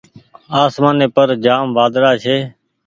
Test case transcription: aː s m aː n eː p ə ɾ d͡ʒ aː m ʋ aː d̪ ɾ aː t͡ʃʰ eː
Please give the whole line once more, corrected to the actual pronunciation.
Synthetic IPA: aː s m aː n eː p ə ɾ d͡ʒ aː m ʋ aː d̪ ɾ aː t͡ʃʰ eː